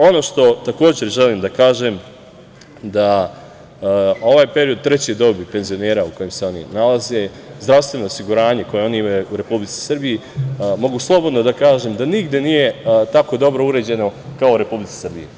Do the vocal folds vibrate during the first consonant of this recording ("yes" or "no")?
yes